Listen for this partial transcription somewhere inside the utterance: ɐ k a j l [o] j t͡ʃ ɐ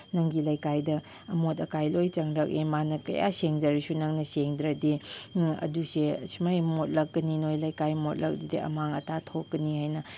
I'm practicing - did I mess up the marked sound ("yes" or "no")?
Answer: no